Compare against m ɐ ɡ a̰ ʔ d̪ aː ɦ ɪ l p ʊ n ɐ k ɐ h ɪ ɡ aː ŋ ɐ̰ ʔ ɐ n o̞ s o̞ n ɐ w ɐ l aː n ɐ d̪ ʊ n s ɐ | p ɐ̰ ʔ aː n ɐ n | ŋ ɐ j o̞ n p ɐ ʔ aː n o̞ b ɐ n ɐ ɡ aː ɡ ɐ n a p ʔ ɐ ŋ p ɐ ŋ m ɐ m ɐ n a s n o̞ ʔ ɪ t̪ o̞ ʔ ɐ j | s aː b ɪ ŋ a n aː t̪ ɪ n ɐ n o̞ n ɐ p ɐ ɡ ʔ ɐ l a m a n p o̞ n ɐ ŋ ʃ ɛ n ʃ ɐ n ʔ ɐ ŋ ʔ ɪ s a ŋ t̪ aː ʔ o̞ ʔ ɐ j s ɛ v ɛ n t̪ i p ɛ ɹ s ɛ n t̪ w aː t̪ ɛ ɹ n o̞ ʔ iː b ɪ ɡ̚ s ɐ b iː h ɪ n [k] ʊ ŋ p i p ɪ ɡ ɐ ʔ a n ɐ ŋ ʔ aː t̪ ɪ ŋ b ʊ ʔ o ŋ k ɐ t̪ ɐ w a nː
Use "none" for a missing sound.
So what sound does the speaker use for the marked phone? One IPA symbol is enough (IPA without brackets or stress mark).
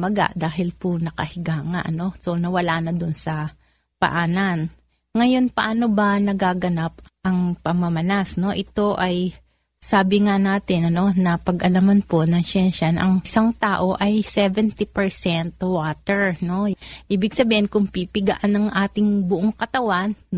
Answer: k